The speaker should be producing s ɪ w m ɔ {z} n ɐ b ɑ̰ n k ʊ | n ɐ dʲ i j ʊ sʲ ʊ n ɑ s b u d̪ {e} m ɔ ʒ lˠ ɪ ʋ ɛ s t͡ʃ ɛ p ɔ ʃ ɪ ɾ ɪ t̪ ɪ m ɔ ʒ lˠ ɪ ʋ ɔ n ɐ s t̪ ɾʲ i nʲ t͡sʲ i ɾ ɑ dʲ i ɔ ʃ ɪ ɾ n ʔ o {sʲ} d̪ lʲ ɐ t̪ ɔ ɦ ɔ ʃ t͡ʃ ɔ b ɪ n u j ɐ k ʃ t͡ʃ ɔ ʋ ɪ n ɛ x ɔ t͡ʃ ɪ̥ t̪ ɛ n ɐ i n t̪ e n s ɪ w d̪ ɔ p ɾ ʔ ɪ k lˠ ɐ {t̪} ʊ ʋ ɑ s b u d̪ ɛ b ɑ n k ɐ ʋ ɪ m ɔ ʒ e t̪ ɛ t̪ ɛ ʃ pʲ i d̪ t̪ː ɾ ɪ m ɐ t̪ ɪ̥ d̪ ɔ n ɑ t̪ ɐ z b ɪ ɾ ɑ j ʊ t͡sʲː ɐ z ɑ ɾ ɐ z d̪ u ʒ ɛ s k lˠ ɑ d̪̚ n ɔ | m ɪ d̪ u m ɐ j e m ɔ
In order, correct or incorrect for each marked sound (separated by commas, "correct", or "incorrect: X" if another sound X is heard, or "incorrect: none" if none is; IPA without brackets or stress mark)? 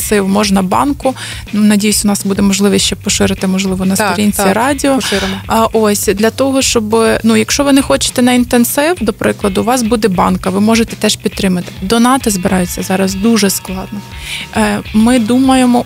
incorrect: ʒ, incorrect: ɛ, correct, incorrect: d̪